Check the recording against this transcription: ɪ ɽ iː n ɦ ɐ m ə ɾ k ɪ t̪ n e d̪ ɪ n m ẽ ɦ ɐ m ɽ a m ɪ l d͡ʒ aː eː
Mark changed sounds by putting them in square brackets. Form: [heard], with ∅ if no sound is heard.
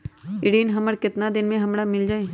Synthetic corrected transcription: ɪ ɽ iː n ɦ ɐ m ə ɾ k ɪ t̪ n [a] d̪ ɪ n m ẽ ɦ ɐ m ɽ a m ɪ l d͡ʒ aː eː